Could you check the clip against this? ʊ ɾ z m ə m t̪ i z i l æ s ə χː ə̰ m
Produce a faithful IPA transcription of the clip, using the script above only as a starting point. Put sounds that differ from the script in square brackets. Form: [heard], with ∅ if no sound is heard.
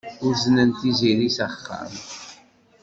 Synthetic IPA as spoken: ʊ ɾ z [n] ə [n] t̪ i z i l [i] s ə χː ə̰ m